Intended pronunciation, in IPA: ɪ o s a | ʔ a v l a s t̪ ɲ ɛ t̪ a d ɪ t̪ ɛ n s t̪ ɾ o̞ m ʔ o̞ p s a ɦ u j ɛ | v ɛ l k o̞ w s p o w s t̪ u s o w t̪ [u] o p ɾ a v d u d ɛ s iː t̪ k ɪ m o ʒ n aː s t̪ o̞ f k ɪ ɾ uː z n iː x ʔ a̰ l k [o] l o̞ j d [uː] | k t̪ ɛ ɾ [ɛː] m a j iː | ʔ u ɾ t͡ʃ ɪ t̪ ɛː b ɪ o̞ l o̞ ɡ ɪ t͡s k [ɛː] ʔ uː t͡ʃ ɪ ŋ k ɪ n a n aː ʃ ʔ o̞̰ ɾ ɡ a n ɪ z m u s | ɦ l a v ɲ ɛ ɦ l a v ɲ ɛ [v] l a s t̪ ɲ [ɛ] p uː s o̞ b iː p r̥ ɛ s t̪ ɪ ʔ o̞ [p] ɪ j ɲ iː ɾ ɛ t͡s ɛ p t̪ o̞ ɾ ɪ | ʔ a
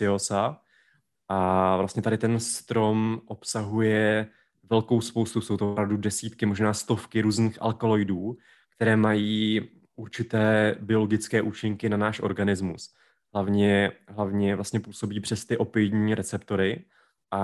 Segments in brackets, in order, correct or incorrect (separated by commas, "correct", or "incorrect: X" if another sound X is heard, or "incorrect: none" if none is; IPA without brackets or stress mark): incorrect: o, correct, correct, correct, correct, correct, correct, correct